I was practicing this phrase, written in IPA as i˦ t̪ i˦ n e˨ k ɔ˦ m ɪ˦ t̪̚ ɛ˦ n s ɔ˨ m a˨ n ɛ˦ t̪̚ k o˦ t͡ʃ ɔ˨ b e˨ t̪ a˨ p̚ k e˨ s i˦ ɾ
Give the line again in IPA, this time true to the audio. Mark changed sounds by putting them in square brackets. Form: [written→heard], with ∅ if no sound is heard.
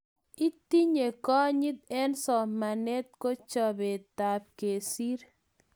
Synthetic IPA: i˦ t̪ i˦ [n→ɲ] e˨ k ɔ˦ [m→ɲ] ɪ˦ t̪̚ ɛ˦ n s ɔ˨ m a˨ n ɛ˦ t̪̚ k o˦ t͡ʃ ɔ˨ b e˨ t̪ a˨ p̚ k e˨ s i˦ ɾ